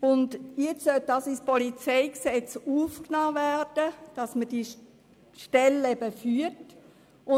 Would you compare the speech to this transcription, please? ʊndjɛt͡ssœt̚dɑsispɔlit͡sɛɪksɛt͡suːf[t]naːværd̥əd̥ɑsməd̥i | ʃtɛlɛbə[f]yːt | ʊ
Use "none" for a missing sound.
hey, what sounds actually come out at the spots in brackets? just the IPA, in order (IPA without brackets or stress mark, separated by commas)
k, f